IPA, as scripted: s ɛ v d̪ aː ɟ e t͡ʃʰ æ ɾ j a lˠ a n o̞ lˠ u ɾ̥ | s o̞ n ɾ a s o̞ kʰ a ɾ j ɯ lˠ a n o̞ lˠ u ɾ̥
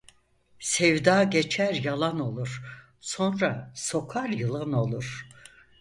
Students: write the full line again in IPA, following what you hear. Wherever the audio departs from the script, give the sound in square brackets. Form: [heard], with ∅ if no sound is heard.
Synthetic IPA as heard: s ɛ v d̪ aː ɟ e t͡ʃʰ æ ɾ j a lˠ a n o̞ lˠ u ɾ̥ | s o̞ n ɾ a s o̞ kʰ a ɾ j ɯ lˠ a n o̞ lˠ u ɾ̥